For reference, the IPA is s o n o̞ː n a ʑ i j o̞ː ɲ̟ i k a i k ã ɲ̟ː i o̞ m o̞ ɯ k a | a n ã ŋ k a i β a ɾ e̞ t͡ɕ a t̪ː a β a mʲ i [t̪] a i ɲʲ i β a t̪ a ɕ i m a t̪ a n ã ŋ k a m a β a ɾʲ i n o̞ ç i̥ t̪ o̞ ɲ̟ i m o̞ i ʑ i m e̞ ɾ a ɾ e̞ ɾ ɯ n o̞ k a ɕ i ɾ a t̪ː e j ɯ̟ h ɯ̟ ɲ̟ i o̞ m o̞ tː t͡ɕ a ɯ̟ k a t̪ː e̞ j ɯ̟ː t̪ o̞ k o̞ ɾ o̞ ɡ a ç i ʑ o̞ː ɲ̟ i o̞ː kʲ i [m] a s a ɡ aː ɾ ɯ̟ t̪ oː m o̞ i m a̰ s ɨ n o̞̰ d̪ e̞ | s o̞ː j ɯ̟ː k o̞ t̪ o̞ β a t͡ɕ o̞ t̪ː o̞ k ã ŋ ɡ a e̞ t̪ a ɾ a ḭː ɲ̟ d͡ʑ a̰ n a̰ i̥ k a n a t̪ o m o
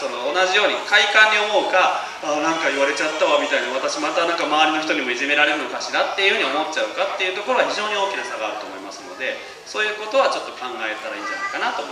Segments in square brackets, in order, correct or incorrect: correct, incorrect: n

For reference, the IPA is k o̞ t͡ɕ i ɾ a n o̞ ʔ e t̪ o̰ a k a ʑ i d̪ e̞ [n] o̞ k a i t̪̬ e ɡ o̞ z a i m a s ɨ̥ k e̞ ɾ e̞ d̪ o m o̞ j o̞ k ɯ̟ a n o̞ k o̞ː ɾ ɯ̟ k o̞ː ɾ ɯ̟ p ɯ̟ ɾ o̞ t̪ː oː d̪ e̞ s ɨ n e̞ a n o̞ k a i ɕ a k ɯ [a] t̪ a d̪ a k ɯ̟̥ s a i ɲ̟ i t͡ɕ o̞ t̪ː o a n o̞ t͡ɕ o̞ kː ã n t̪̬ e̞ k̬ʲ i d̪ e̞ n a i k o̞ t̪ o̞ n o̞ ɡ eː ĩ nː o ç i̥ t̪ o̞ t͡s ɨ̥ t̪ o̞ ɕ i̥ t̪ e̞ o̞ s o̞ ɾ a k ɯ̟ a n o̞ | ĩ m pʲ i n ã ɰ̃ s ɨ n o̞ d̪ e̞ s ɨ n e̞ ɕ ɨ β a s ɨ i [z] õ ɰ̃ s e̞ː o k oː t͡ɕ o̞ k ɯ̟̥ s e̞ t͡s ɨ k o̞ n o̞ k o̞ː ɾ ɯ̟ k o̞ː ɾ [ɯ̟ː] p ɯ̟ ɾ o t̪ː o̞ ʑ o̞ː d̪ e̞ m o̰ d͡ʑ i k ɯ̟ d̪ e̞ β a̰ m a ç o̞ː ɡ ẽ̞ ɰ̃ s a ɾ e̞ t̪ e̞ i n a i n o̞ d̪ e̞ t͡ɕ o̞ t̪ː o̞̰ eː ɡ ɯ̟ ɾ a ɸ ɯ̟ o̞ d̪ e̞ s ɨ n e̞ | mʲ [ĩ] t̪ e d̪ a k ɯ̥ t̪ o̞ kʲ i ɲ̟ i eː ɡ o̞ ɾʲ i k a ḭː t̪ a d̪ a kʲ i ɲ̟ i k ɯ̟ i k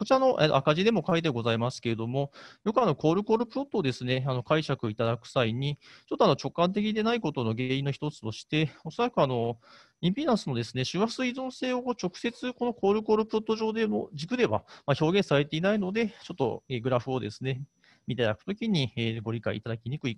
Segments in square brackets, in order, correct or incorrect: incorrect: m, incorrect: i, correct, incorrect: ɯ̟, incorrect: i

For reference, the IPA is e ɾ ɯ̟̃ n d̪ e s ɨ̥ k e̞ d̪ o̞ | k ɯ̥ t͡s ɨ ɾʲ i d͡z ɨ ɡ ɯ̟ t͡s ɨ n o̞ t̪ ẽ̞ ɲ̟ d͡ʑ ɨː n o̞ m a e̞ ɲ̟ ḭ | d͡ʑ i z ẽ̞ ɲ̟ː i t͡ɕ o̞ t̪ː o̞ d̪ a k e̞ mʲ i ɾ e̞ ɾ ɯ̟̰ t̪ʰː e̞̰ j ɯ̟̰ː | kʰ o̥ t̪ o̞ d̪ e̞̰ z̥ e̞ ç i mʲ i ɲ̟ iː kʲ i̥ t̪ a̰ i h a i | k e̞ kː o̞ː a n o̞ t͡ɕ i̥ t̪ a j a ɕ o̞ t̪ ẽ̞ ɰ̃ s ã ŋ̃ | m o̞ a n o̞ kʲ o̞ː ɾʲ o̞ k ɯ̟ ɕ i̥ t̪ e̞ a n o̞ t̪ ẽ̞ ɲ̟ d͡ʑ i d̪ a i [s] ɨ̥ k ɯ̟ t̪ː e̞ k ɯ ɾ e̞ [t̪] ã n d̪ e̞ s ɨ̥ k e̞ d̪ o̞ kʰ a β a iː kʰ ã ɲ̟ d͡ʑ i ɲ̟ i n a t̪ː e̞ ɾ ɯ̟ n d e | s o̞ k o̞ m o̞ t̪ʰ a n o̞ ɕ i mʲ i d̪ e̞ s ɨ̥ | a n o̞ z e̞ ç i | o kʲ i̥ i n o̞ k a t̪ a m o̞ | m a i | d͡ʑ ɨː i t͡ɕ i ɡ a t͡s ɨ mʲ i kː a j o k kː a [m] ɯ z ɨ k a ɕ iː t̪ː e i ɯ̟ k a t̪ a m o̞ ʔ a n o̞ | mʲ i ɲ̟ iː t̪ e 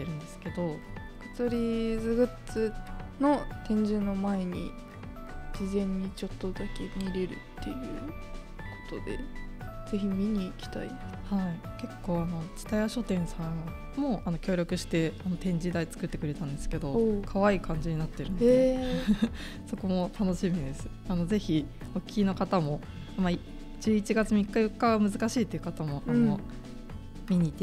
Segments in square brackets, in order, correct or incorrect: incorrect: t͡s, correct, correct

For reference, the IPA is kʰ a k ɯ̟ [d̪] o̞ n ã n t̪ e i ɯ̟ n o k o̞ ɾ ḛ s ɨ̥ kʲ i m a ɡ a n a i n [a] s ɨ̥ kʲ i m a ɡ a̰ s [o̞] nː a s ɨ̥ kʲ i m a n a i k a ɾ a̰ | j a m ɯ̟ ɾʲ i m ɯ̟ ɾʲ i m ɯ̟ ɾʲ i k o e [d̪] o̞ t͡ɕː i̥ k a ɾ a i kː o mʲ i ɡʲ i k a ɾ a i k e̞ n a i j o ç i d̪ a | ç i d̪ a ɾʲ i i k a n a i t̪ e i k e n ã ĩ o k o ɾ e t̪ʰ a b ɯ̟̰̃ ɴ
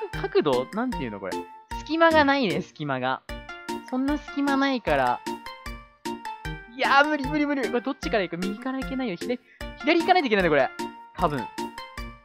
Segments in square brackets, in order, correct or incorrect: correct, incorrect: e, incorrect: õ̞, correct

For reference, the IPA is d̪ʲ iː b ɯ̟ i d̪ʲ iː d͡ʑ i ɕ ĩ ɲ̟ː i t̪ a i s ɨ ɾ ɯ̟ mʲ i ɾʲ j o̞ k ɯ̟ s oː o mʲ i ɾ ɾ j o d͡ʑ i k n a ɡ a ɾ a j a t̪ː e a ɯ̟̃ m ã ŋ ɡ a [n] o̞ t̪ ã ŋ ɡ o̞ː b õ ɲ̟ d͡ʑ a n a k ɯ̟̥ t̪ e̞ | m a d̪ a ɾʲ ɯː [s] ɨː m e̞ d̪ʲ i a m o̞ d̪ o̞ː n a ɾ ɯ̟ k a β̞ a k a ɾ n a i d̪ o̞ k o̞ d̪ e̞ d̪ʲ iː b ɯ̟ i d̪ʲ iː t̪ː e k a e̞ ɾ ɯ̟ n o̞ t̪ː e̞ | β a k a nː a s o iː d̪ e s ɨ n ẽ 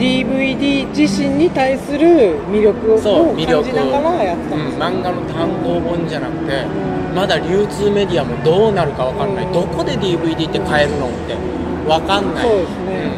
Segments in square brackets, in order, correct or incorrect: correct, incorrect: t͡s

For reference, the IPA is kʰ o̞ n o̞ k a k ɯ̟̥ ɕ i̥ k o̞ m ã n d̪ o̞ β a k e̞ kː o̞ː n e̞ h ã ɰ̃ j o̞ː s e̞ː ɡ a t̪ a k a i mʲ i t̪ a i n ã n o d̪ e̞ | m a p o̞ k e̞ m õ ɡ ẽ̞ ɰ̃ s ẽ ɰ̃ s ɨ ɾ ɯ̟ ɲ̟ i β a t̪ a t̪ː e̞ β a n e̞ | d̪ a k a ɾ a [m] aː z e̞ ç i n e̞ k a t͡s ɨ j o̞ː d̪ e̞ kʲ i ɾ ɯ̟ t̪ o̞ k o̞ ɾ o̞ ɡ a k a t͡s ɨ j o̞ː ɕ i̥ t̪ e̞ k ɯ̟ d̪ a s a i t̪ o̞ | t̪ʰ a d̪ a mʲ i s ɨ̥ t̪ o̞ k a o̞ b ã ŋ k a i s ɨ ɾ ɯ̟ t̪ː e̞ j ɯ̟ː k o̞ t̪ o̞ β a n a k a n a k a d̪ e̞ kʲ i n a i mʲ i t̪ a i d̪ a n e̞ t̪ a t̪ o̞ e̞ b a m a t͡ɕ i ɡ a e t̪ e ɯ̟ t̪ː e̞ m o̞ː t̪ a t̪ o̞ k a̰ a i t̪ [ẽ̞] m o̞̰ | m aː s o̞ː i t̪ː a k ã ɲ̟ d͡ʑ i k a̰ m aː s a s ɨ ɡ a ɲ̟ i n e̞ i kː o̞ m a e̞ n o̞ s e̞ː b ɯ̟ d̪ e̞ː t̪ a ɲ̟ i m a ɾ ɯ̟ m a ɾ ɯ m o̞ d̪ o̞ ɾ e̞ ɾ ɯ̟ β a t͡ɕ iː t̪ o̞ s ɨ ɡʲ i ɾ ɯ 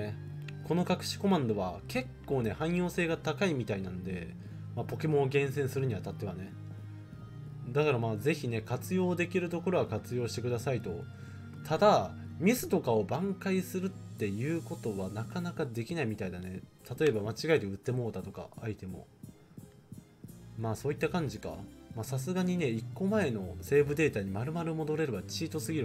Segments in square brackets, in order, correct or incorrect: correct, incorrect: e̞

